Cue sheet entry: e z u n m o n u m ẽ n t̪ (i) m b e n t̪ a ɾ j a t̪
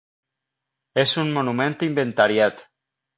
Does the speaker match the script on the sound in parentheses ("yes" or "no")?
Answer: yes